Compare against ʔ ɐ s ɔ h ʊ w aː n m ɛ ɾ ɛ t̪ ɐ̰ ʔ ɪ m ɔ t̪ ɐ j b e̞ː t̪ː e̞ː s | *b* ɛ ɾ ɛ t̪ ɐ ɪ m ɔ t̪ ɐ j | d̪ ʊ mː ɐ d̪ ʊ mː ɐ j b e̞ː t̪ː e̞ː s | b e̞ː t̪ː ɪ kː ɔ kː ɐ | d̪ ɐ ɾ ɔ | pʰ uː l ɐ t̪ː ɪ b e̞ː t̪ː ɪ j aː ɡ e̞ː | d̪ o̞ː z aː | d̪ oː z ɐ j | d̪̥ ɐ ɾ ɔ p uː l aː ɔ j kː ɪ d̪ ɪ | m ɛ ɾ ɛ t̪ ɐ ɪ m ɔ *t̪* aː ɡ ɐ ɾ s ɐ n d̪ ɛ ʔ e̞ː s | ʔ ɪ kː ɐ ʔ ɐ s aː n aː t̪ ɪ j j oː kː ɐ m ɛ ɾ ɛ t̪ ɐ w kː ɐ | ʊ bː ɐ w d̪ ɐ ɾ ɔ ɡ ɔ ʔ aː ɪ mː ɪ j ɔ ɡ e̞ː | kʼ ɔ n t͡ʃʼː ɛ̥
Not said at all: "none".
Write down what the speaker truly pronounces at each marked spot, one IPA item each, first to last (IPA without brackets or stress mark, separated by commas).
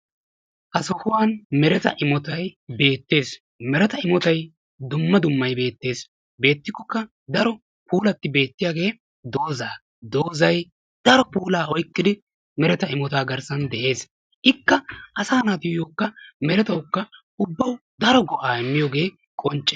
m, t̪